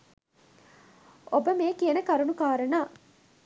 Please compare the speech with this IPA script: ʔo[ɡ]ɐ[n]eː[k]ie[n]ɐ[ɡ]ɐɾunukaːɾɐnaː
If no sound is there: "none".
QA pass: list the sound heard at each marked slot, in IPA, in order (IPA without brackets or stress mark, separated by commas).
b, m, k, n, k